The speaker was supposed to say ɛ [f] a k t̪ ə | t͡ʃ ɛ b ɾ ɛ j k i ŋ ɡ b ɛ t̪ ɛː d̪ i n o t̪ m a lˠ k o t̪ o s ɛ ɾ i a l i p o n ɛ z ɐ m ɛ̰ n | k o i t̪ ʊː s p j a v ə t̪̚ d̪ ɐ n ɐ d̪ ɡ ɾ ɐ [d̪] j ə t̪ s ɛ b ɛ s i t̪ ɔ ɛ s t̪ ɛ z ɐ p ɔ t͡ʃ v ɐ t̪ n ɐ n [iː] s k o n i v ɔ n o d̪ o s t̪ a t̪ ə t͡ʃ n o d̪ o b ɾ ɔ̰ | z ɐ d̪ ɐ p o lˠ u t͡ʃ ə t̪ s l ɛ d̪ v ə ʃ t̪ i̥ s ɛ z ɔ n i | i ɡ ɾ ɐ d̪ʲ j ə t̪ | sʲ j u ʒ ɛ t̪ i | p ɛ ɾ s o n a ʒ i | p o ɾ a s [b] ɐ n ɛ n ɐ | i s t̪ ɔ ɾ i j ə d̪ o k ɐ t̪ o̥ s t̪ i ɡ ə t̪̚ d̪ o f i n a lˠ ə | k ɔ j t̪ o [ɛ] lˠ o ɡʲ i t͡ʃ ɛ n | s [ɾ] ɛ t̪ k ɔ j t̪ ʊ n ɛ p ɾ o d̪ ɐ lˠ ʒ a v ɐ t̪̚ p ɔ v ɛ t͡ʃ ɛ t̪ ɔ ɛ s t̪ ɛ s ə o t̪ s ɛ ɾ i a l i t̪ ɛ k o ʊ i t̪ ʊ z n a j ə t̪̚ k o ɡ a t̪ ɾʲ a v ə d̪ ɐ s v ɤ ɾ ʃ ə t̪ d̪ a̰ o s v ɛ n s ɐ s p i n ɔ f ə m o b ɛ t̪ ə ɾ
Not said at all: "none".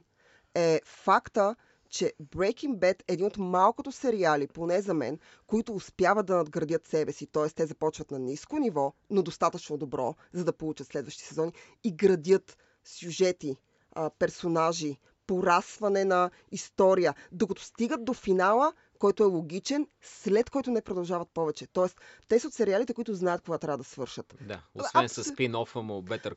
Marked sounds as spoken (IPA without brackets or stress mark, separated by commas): f, d̪, i, v, ɛ, l